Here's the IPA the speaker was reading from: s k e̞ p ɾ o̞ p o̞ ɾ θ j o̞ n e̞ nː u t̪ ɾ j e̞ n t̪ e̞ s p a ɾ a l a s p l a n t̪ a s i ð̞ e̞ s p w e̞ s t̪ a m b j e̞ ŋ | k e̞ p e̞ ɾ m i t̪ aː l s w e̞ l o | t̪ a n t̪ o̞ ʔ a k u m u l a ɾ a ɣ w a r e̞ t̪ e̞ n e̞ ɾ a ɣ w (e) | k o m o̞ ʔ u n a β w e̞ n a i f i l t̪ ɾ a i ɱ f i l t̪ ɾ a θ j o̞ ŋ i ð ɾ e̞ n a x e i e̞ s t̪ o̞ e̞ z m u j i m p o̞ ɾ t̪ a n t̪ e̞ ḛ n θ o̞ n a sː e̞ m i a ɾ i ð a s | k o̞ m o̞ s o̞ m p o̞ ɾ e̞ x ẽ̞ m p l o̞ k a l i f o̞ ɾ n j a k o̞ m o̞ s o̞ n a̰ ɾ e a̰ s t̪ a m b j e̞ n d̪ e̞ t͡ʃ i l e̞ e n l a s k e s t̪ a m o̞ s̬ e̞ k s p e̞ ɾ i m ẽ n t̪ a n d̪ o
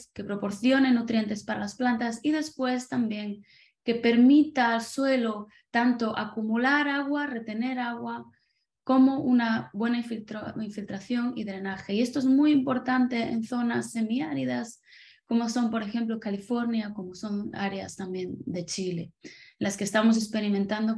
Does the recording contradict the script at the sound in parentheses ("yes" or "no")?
yes